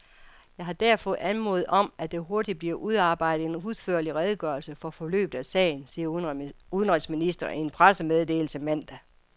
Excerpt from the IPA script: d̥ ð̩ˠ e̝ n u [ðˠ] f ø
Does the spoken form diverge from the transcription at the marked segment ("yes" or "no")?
no